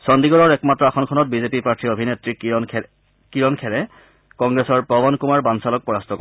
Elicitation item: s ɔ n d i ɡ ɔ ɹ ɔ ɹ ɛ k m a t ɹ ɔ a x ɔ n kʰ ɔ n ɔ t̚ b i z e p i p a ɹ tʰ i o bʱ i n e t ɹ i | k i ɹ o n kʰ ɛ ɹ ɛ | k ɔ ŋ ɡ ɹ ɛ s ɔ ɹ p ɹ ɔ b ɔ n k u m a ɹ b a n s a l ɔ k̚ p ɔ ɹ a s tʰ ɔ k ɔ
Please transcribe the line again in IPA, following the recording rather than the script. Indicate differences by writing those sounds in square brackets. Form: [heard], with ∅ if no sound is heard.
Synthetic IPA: s ɔ n d i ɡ ɔ ɹ ɔ ɹ ɛ k m a t ɹ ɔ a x ɔ n kʰ ɔ n ɔ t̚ b i z e p i p a ɹ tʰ i o bʱ i n e t ɹ i | k i ɹ [ɔ] n kʰ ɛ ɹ ɛ | k ɔ ŋ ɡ ɹ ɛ s ɔ ɹ p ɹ ɔ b ɔ n k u m a ɹ b a n s a l ɔ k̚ p ɔ ɹ a s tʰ ɔ k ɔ